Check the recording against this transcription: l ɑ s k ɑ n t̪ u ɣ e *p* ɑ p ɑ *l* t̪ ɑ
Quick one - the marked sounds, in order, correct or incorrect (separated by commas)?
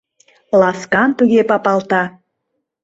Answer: correct, correct